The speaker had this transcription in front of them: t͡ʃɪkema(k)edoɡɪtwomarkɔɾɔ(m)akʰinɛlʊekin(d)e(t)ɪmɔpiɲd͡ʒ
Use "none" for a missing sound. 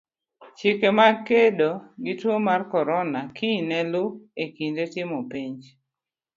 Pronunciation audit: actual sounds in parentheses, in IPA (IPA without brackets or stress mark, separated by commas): k, n, d, t